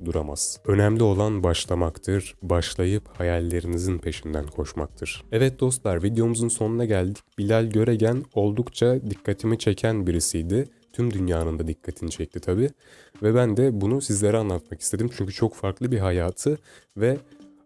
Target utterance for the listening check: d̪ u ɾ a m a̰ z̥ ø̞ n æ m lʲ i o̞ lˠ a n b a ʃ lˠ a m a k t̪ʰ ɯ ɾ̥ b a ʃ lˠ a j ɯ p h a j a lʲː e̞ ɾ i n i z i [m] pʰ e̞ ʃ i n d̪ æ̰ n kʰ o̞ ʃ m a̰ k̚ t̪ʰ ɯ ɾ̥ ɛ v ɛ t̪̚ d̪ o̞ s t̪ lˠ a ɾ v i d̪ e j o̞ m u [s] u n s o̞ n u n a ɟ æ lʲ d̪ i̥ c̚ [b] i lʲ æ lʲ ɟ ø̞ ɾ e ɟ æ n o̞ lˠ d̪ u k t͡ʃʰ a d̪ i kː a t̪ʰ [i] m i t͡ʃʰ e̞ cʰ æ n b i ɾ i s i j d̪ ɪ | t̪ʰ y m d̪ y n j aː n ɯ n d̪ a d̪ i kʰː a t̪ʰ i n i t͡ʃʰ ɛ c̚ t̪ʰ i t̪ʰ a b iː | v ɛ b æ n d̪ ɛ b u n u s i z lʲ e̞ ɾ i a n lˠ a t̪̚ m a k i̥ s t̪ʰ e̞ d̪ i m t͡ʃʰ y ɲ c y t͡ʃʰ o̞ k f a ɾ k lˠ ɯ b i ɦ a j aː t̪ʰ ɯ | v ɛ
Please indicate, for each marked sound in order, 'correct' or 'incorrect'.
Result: incorrect, incorrect, correct, correct

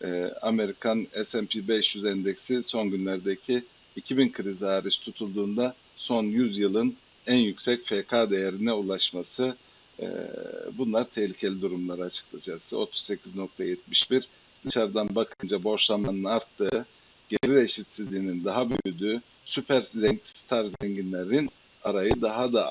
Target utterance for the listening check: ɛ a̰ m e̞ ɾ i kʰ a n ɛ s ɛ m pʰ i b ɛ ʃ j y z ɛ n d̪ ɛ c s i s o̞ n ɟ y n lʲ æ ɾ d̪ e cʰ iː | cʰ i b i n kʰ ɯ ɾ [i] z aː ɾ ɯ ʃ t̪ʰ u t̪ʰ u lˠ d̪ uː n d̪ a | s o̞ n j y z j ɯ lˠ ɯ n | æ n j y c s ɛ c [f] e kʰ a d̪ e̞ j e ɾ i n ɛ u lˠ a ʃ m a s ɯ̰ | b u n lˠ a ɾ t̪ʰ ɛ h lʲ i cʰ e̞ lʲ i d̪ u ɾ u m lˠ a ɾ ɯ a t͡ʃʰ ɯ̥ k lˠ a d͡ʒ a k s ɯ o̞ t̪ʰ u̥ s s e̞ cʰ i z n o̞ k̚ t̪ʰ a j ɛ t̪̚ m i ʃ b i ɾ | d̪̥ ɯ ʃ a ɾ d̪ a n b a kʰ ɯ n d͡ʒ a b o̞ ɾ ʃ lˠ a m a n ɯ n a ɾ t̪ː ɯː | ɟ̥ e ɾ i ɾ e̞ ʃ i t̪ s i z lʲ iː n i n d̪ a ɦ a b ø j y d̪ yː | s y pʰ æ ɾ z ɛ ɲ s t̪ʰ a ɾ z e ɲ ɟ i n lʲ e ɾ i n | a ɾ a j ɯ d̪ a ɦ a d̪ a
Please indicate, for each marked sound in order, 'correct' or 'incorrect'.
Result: correct, correct

